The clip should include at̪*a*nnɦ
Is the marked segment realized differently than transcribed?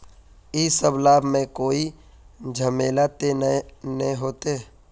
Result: yes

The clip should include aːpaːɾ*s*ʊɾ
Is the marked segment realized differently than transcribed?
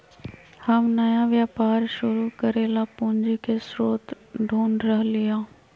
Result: yes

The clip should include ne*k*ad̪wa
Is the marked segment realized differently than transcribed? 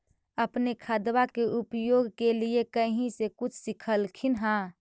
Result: yes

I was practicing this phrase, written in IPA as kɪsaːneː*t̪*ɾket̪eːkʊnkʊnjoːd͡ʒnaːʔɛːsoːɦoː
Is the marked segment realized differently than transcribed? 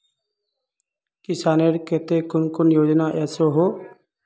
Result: yes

